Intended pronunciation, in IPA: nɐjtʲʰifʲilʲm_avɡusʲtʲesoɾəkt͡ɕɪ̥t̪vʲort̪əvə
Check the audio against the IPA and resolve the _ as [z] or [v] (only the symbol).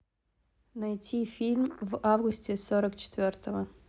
v